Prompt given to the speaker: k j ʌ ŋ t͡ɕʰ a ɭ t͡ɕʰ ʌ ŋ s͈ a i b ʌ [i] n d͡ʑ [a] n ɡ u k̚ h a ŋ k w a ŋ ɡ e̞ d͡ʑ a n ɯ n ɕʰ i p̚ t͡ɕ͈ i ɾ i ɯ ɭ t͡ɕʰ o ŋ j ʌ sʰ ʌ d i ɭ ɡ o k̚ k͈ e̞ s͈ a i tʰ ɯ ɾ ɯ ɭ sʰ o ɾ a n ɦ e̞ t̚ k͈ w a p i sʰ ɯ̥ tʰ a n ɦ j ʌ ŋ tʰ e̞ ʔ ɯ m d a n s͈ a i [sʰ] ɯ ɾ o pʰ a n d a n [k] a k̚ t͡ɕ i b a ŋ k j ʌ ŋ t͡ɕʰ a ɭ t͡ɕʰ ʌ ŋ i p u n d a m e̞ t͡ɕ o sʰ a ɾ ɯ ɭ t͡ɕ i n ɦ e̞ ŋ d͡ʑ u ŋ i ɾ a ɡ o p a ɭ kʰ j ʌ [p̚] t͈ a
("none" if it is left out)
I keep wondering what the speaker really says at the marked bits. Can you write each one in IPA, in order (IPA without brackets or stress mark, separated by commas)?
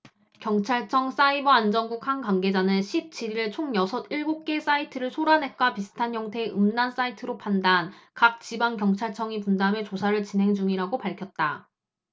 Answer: a, ʌ, tʰ, k, t̚